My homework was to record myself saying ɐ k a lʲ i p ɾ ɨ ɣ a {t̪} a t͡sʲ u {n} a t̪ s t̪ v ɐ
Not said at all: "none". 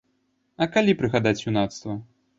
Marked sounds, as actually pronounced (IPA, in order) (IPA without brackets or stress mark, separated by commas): d̪, n